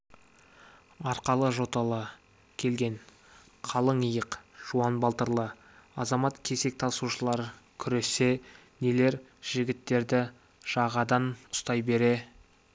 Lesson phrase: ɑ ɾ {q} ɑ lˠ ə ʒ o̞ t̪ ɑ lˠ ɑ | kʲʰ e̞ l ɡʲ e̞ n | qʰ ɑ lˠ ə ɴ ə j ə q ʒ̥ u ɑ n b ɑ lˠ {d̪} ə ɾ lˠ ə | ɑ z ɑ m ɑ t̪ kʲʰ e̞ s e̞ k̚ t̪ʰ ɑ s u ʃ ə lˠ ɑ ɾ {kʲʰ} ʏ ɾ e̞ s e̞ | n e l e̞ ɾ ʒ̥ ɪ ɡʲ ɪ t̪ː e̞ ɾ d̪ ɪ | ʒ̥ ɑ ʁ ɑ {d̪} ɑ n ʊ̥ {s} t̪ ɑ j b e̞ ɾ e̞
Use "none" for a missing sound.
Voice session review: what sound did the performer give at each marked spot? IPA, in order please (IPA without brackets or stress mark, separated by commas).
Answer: q, t̪, kʲʰ, d̪, s